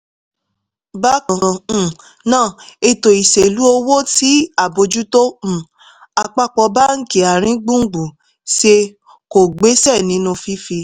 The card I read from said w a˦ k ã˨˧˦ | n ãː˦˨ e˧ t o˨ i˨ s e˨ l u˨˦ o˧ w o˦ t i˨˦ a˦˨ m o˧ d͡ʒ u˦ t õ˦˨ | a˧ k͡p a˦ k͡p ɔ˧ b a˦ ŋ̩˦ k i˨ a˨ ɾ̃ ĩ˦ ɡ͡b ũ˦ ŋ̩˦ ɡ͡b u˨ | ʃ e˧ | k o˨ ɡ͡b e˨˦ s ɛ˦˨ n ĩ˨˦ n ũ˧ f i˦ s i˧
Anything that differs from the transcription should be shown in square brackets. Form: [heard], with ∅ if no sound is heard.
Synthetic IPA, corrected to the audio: [b] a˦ k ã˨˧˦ | n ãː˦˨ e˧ t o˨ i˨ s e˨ l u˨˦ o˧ w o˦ t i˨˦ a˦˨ [b] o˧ d͡ʒ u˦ t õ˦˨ | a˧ k͡p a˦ k͡p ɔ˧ b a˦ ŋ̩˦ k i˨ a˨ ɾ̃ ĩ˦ ɡ͡b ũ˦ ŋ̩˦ ɡ͡b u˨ | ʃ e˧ | k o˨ ɡ͡b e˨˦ s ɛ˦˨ n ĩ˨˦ n ũ˧ f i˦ [f] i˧

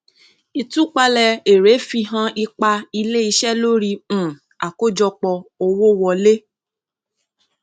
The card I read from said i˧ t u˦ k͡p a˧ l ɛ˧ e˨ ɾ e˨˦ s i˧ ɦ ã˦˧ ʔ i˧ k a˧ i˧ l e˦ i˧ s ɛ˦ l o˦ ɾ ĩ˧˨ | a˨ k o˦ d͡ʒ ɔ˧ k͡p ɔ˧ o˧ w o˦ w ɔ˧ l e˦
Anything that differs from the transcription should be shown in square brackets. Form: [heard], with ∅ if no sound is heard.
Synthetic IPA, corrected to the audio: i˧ t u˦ k͡p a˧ l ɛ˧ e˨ ɾ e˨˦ [f] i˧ ɦ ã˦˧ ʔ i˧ [k͡p] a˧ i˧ l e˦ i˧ [ʃ] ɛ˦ l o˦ ɾ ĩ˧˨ | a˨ k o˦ d͡ʒ ɔ˧ k͡p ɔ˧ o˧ w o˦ w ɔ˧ l e˦

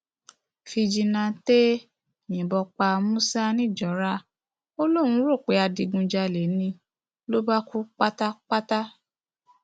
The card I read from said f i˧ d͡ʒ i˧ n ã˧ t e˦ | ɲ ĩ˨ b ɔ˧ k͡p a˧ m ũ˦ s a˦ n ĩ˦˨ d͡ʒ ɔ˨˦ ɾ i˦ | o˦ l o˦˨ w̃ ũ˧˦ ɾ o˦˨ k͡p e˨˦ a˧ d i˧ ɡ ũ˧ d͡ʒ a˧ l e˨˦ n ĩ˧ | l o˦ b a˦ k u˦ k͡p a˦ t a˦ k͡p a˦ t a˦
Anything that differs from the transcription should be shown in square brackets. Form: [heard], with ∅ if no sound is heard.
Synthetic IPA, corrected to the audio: f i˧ d͡ʒ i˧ n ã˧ t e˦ | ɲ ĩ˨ b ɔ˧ k͡p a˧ m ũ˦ s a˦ n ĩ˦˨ d͡ʒ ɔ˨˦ ɾ [a˦] | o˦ l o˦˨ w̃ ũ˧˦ ɾ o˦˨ k͡p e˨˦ a˧ d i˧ ɡ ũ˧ d͡ʒ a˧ l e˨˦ n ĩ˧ | l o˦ b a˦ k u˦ k͡p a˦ t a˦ k͡p a˦ t a˦

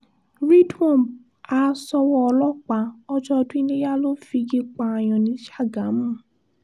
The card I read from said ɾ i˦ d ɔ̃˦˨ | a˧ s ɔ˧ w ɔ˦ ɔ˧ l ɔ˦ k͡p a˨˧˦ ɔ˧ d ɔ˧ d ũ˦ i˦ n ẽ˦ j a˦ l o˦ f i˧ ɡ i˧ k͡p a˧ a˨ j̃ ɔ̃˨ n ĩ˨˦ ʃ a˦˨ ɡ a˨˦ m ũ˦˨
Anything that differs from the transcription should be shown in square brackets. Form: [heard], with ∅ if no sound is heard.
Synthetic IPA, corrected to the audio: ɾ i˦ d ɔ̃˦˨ | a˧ s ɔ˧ w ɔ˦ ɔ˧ l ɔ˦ k͡p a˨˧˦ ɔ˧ [d͡ʒ] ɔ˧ d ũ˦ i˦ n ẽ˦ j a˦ l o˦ f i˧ ɡ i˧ k͡p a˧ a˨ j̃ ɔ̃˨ n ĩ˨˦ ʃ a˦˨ ɡ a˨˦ m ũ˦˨

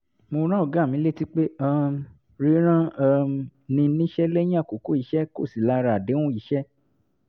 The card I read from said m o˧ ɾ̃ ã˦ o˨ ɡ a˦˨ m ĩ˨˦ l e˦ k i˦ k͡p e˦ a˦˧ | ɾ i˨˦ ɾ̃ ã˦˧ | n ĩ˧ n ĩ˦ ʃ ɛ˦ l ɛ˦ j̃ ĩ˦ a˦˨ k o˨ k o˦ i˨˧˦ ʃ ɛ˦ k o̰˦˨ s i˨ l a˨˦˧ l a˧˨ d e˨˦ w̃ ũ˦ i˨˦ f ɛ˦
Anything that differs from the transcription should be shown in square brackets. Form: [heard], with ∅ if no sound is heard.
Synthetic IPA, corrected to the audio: m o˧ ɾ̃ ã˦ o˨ ɡ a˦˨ m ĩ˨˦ l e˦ [t] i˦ k͡p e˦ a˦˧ | ɾ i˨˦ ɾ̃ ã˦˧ | n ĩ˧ n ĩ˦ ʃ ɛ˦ l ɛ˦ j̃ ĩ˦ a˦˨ k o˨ k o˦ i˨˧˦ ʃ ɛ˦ k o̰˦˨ s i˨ l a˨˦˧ [ɾ] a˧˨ d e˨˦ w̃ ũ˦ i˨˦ [ʃ] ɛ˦

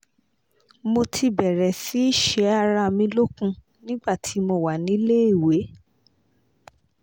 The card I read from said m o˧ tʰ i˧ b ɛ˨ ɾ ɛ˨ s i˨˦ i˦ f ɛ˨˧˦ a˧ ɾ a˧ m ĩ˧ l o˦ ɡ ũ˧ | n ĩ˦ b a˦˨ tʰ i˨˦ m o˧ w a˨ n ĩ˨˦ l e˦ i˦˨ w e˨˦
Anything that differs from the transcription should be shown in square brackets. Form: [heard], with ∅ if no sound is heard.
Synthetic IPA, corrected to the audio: m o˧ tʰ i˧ b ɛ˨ ɾ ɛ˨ s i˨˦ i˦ [ʃ] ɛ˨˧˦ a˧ ɾ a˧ m ĩ˧ l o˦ [k] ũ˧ | n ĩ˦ [ɡ͡b] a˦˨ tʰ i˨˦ m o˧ w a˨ n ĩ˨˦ l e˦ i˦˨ w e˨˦

